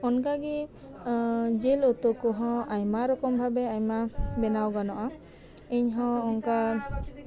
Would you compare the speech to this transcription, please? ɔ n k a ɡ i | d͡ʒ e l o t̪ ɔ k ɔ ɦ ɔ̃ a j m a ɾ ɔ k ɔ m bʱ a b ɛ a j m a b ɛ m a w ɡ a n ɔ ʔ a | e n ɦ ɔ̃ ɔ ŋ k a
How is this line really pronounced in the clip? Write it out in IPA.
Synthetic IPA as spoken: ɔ n k a ɡ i | d͡ʒ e l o t̪ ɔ k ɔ ɦ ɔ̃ a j m a ɾ ɔ k ɔ m bʱ a b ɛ a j m a b ɛ n a w ɡ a n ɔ ʔ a | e ɲ ɦ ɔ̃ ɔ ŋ k a